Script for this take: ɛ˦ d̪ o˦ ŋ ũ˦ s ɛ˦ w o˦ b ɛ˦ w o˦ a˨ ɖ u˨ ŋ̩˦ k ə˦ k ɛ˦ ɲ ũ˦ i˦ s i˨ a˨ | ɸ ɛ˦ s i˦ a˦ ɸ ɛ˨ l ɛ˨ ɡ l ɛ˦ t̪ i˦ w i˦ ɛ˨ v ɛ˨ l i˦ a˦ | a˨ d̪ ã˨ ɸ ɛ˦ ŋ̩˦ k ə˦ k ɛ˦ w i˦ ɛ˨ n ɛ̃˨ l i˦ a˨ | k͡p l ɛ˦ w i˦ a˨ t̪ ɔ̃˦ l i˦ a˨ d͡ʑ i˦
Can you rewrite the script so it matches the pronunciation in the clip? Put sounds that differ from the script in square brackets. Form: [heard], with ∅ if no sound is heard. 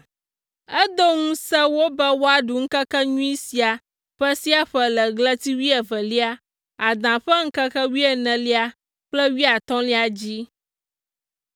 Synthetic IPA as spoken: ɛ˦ d̪ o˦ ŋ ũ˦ s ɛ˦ w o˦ b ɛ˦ w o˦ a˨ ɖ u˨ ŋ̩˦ k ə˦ k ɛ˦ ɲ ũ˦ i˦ s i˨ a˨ | ɸ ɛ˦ s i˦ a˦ ɸ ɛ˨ l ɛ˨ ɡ l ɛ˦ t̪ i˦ w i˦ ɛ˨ v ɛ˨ l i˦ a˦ | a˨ d̪ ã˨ ɸ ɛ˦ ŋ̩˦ k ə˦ k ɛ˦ w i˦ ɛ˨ n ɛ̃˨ l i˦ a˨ | k͡p l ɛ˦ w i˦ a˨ t̪ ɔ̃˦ l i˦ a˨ d͡ʑ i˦